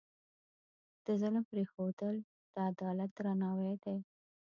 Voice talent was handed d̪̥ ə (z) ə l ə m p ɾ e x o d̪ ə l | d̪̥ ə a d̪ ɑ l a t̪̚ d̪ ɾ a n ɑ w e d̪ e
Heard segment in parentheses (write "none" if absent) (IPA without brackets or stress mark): z